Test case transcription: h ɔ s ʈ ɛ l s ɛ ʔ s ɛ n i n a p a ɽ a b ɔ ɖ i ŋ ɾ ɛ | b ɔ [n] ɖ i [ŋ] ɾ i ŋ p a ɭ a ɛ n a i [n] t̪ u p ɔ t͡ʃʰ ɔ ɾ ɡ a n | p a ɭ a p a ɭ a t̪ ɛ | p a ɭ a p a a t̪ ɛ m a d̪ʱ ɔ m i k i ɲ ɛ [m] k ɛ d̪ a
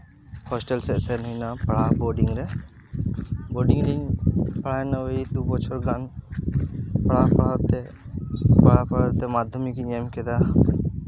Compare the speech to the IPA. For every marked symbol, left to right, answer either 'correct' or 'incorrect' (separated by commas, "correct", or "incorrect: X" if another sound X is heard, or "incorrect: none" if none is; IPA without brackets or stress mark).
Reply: incorrect: none, correct, incorrect: none, correct